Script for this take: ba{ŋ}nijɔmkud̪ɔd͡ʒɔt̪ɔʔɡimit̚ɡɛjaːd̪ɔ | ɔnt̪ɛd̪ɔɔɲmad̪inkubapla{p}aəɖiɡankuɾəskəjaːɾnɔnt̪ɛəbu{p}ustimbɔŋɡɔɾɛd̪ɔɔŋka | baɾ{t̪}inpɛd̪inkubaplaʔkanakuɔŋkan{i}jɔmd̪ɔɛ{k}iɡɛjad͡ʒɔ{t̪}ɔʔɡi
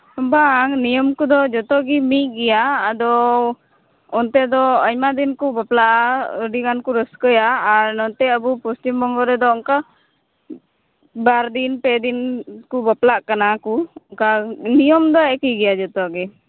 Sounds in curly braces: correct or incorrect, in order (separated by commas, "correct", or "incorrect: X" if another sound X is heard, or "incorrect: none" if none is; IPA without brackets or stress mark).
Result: correct, incorrect: ʔ, correct, incorrect: d̪, correct, correct, correct